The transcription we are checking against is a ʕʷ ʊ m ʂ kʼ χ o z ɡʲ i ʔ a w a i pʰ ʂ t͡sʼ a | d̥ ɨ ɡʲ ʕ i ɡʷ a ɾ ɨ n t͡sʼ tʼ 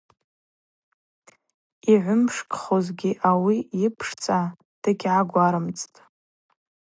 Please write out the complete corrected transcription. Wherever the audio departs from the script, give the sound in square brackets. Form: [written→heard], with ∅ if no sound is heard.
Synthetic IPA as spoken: [a→i] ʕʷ ʊ m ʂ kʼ χ o z ɡʲ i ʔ a w [a→i] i pʰ ʂ t͡sʼ a | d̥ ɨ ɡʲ ʕ [i→a] ɡʷ a ɾ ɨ [n→m] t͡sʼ tʼ